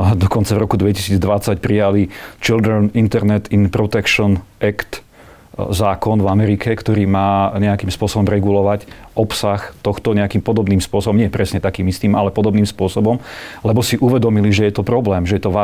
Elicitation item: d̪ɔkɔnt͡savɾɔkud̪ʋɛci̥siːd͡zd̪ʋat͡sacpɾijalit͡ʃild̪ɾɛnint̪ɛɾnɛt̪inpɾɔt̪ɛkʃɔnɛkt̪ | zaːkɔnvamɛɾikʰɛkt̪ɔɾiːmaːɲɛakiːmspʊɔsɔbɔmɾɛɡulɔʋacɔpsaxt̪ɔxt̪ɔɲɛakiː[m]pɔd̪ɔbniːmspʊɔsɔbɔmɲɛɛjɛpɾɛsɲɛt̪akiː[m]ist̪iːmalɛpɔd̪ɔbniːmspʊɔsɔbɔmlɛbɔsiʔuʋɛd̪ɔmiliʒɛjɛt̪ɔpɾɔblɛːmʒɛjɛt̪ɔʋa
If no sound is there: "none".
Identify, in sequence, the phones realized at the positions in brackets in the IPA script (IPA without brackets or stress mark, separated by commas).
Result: m, m